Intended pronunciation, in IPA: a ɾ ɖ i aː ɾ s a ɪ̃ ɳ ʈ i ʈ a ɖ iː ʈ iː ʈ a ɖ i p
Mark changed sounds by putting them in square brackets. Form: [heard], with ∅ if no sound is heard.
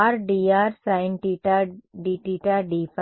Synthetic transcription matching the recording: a ɾ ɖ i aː ɾ s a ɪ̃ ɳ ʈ i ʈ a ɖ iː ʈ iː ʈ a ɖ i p